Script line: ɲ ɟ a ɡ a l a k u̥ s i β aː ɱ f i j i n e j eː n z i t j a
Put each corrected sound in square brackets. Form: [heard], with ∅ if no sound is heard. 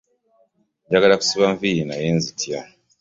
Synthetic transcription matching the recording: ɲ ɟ a ɡ a l a k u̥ s i β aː ɱ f i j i n [a] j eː n z i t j a